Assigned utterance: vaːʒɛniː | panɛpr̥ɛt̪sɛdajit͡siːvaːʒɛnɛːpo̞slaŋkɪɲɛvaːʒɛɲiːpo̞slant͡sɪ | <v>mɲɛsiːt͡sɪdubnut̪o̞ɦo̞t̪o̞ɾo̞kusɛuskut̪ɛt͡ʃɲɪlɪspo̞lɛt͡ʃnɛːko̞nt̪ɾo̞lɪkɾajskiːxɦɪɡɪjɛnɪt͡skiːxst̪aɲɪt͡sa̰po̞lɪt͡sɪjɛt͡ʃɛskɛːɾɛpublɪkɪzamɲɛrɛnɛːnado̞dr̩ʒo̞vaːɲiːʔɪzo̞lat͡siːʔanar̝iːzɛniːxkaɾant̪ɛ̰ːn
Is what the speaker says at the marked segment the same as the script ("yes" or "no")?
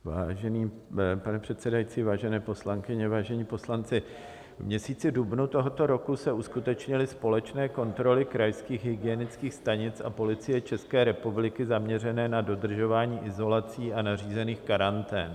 yes